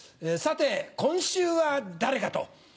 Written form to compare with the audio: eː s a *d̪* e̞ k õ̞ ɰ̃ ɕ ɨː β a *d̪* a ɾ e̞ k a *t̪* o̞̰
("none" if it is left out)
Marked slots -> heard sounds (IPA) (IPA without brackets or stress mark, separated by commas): t̪, d̪, t̪